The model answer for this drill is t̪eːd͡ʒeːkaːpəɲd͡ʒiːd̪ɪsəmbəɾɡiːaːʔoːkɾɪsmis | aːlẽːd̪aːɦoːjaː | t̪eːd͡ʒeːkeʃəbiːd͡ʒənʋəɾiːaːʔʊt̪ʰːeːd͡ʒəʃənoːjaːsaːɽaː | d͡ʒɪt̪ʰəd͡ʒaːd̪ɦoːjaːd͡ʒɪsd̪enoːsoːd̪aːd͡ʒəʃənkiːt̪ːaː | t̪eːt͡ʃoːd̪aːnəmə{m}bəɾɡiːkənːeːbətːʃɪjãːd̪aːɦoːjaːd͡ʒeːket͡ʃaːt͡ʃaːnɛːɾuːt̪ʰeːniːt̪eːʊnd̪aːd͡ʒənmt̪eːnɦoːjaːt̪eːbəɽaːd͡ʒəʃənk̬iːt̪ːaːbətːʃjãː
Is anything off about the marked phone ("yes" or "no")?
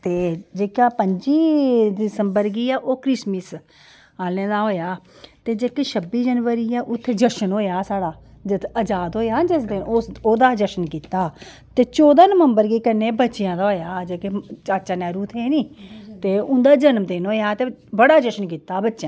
no